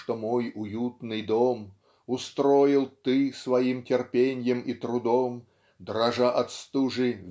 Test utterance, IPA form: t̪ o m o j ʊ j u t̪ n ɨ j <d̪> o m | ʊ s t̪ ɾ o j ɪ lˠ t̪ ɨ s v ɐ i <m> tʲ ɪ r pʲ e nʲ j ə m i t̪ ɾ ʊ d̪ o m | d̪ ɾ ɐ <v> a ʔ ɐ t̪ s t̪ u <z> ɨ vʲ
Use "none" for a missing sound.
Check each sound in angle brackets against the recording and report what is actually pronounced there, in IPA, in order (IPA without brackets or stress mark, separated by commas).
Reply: d̪, m, ʐ, ʐ